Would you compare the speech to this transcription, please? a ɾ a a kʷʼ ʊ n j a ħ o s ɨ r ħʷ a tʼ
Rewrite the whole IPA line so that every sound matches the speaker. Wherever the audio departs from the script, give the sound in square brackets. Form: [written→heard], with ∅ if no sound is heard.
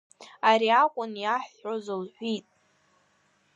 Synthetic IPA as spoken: a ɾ [a→i] a kʷʼ ʊ n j a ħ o [s→z] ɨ [r→l] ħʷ [a→i] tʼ